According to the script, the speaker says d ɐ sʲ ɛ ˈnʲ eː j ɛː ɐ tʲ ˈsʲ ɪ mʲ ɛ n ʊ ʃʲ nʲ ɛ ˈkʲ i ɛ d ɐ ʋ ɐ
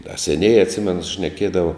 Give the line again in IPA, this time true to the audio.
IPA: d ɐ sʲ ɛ ˈnʲ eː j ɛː ɐ tʲ ˈsʲ ɪ mʲ ɛ n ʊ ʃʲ nʲ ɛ ˈkʲ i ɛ d ɐ ʋ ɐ